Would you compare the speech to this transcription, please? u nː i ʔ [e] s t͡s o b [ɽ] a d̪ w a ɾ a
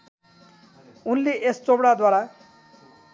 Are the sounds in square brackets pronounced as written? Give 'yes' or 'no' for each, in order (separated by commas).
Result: yes, yes